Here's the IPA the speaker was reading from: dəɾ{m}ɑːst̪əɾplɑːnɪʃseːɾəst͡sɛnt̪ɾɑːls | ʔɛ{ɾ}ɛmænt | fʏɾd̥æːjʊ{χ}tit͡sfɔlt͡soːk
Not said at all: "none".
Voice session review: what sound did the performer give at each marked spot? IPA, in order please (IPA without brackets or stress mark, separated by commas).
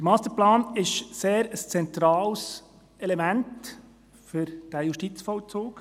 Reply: m, l, ʃ